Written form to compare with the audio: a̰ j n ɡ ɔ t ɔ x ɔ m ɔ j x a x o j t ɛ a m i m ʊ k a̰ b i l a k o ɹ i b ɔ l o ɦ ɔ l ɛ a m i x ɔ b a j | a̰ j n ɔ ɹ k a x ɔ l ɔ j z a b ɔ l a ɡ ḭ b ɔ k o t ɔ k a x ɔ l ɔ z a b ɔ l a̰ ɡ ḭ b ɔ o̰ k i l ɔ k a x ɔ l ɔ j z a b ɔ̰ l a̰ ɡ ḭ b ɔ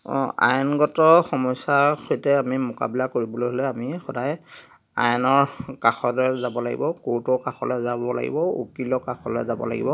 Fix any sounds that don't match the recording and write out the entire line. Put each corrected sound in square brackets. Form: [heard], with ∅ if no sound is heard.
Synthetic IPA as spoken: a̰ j n ɡ ɔ t ɔ x ɔ m ɔ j [s] a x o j t ɛ a m i m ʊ k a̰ b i l a k o ɹ i b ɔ l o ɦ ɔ l ɛ a m i x ɔ [d] a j | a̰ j n ɔ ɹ k a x ɔ l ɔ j z a b ɔ l a ɡ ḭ b ɔ k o t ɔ k a x ɔ l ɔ z a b ɔ l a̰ ɡ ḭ b ɔ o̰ k i l ɔ k a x ɔ l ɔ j z a b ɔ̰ l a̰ ɡ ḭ b ɔ